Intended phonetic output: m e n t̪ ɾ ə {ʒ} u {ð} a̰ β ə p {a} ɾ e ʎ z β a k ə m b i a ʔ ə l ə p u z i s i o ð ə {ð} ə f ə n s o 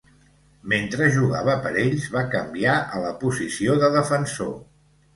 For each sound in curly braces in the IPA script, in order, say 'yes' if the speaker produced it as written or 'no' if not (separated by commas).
yes, no, no, yes